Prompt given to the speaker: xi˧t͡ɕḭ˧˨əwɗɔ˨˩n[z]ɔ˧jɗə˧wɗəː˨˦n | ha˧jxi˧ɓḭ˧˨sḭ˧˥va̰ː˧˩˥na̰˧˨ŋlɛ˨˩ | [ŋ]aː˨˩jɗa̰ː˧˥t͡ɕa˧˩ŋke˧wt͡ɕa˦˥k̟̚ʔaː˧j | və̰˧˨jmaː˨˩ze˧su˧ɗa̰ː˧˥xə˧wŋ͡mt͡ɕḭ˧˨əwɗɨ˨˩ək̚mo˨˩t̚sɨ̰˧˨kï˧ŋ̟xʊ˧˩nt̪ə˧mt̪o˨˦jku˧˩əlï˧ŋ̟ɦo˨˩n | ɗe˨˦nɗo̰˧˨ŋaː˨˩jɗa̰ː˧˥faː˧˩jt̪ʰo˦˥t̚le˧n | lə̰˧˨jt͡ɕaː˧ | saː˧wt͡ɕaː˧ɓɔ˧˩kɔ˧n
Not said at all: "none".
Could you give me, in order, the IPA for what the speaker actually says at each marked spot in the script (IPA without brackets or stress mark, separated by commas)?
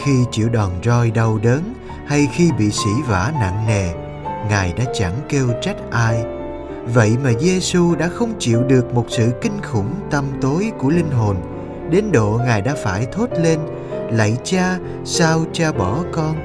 z, ŋ